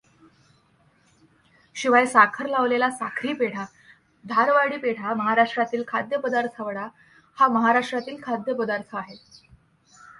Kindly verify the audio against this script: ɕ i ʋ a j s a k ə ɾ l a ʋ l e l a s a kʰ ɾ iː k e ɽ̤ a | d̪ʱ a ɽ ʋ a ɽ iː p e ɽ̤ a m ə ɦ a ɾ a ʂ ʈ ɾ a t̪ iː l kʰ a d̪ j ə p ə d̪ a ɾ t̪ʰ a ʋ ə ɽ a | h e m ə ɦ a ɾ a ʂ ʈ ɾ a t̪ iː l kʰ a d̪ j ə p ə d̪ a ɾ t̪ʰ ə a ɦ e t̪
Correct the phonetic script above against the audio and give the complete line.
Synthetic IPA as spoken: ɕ i ʋ a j s a kʰ ə ɾ l a ʋ l e l a s a kʰ ɾ iː p e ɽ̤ a | d̪ʱ a ɾ ʋ a ɽ iː p e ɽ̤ a m ə ɦ a ɾ a ʂ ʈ ɾ a t̪ iː l kʰ a d̪ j ə p ə d̪ a ɾ t̪ʰ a ʋ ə ɽ a | h a m ə ɦ a ɾ a ʂ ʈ ɾ a t̪ iː l kʰ a d̪ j ə p ə d̪ a ɾ t̪ʰ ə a ɦ e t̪